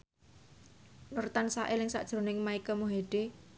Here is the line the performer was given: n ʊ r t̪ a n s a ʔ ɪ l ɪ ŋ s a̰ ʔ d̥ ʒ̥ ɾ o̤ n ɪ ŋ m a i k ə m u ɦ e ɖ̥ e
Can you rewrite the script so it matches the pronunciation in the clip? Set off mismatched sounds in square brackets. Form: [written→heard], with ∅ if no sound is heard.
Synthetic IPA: n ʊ r t̪ a n s a ʔ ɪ l ɪ ŋ s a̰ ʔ d̥ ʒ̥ ɾ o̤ n ɪ ŋ m a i k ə m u ɦ e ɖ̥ e